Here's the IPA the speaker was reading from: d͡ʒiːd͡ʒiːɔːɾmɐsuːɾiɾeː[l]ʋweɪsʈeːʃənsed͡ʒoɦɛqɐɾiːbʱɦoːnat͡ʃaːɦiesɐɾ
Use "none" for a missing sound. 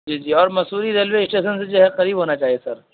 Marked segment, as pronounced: l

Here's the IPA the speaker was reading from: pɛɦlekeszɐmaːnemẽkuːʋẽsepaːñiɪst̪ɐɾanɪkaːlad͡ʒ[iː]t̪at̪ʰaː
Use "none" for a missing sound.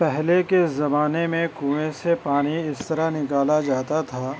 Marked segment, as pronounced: aː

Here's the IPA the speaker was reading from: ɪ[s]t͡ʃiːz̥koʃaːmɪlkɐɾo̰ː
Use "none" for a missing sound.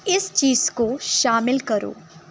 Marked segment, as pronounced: s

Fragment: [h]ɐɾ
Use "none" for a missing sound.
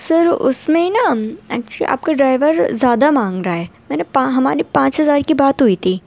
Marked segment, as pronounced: s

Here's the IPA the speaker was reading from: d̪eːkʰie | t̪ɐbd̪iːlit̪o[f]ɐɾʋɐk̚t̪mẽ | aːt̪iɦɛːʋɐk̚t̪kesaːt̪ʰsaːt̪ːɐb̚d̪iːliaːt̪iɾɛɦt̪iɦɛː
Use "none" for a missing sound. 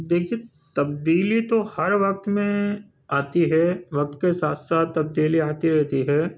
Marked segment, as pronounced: h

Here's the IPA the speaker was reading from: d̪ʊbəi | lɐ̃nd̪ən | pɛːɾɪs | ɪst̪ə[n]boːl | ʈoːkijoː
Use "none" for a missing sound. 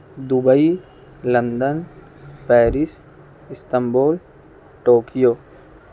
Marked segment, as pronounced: m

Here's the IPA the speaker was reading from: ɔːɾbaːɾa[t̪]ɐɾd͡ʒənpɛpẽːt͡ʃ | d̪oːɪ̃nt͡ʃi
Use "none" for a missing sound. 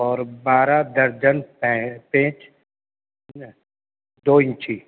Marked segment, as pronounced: d̪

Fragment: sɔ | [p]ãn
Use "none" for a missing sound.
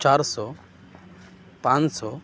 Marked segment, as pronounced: p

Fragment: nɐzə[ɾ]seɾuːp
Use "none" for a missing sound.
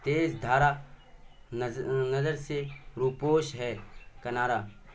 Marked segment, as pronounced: ɾ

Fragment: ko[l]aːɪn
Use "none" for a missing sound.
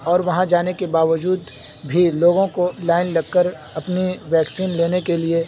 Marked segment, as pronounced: l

